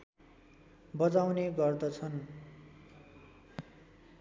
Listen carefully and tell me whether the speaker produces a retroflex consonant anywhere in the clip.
no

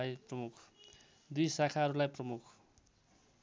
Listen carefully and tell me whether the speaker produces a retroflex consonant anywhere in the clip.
no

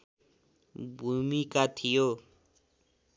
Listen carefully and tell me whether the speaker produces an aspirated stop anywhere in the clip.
yes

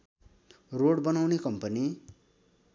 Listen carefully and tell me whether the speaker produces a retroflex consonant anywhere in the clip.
yes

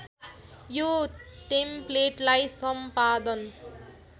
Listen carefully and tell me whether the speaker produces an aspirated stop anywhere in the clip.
no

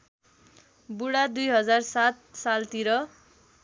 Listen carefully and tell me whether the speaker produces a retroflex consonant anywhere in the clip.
yes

